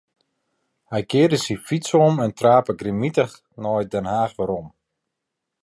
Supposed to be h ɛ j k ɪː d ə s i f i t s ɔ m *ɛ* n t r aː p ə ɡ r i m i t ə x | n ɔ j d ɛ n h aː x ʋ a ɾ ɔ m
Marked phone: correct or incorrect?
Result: correct